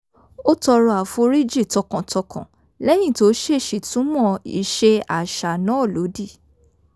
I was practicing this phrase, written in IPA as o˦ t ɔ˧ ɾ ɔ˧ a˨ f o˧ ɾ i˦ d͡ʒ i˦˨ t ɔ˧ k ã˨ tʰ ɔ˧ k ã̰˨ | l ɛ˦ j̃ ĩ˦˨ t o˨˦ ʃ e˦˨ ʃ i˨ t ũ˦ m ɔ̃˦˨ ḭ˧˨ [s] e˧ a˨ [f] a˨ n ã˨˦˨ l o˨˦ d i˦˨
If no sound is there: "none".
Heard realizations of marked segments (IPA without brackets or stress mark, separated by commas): ʃ, ʃ